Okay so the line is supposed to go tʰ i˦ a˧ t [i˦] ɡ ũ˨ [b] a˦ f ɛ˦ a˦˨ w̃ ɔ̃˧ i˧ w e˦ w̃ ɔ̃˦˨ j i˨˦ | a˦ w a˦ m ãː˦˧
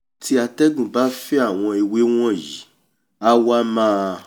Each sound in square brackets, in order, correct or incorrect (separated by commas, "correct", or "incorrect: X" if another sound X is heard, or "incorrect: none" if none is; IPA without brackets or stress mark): incorrect: ɛ˦, correct